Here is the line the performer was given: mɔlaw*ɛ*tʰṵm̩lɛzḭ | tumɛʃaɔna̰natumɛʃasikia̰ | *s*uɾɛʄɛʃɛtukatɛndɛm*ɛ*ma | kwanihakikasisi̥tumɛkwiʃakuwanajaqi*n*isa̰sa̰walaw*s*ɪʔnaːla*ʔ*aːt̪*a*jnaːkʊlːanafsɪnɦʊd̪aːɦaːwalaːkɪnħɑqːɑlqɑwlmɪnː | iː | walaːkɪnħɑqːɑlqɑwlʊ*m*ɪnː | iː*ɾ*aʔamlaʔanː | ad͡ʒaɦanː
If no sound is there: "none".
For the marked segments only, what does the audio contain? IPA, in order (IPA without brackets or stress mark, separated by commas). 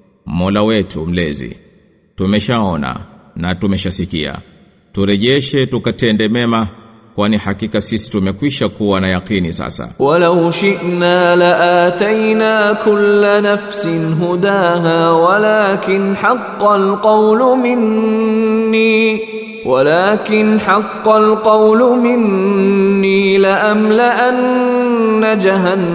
ɛ, t, ɛ, n, ʃ, ʔ, a, m, l